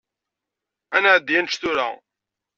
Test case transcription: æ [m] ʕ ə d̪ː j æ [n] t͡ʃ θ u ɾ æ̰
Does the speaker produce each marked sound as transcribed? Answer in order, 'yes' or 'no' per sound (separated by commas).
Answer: no, yes